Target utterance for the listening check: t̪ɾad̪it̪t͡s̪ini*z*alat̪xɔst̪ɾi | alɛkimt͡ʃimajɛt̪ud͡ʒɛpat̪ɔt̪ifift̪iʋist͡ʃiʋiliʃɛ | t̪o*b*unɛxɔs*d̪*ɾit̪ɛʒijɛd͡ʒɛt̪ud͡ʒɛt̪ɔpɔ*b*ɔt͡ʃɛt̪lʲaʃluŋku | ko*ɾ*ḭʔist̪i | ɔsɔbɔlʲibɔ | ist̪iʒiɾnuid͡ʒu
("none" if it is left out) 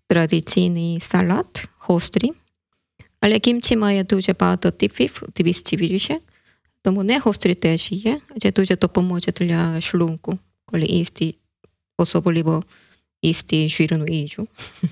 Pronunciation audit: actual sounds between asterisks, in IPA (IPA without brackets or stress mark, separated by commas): s, m, t̪, m, l